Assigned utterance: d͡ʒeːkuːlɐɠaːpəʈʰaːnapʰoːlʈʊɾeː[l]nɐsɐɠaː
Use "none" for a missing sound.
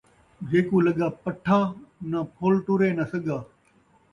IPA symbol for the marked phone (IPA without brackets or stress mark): none